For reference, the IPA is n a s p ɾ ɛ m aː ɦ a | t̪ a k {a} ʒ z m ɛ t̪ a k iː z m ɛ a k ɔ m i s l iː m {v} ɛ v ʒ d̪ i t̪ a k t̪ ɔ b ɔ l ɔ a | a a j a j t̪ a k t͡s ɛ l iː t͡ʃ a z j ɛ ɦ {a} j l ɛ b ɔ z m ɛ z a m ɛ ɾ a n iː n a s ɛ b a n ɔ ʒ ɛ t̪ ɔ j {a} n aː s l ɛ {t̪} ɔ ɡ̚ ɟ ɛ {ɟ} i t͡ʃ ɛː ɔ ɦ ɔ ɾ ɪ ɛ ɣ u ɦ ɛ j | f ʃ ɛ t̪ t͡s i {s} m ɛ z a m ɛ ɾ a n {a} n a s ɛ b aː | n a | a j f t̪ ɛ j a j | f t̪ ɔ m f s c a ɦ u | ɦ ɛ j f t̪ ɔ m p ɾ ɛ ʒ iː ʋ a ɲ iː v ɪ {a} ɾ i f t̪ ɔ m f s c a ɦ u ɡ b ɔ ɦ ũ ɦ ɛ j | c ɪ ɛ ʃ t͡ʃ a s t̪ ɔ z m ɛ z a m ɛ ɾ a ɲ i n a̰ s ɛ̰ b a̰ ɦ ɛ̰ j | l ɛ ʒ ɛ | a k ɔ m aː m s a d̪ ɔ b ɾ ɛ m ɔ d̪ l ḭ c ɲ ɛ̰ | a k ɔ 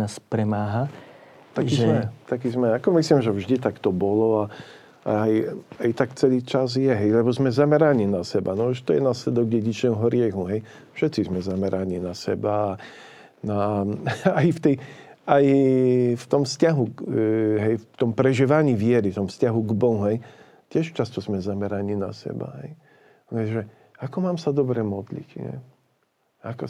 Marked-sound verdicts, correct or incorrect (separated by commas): incorrect, incorrect, incorrect, incorrect, incorrect, correct, incorrect, incorrect, incorrect